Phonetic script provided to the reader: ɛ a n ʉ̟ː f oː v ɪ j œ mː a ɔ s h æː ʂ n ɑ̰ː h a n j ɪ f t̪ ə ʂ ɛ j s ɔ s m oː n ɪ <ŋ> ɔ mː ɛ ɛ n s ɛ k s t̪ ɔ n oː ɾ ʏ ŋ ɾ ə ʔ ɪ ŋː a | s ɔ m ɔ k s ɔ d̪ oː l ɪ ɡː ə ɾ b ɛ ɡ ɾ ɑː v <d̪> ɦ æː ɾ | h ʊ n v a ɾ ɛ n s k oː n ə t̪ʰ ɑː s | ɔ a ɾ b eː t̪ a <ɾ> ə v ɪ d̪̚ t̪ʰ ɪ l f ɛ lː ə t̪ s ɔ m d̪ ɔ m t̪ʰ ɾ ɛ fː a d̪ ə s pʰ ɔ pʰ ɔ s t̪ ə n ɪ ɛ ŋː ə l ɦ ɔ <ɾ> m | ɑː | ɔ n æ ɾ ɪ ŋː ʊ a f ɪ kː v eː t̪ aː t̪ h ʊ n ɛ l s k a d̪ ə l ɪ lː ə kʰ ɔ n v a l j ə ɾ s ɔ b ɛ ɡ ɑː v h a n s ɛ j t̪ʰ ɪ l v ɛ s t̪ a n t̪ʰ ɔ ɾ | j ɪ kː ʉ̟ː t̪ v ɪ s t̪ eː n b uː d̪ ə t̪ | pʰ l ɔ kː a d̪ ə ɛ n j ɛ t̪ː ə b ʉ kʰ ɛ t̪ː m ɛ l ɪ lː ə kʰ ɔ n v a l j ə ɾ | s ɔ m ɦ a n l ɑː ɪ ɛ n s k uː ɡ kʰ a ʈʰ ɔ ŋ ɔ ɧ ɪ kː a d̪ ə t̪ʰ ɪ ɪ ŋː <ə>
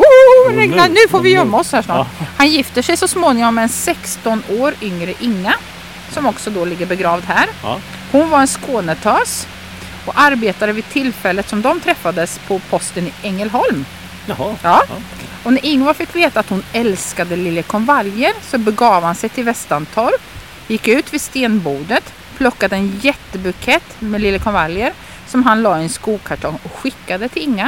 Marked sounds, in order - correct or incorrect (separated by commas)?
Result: correct, correct, correct, incorrect, incorrect